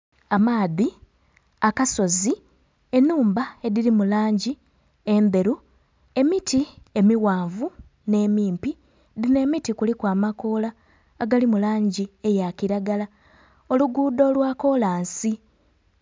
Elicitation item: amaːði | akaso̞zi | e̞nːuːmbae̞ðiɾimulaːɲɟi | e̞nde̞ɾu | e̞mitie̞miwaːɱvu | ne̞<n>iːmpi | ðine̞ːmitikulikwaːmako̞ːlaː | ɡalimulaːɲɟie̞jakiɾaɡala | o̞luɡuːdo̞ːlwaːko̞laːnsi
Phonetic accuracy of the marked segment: incorrect: m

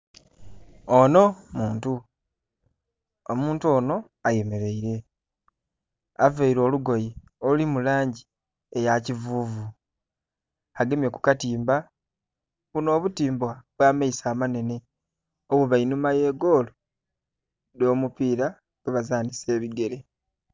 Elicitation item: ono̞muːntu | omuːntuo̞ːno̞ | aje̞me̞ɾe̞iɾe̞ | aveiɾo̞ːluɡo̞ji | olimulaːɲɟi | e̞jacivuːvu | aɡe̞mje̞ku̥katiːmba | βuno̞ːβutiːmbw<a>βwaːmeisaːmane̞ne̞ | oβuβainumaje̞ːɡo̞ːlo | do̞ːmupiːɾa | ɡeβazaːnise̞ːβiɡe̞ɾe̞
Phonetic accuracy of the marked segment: correct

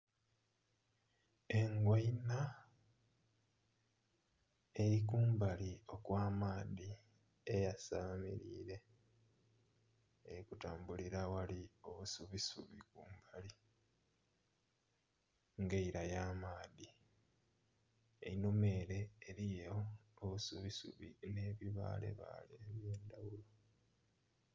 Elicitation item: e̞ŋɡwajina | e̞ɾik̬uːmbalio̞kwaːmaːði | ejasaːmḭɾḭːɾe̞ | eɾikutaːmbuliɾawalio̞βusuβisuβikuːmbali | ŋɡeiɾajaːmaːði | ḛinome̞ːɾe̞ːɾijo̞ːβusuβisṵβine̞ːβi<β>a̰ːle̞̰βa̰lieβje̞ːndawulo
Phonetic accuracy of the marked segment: correct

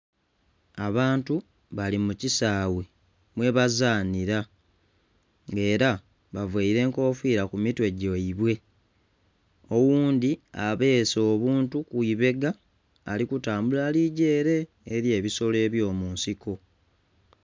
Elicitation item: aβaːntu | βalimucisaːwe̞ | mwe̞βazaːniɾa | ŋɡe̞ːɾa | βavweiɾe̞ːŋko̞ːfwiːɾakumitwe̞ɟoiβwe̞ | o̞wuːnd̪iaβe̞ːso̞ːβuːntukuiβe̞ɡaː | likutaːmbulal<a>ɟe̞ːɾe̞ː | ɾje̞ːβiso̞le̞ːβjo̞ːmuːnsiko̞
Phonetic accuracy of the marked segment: incorrect: i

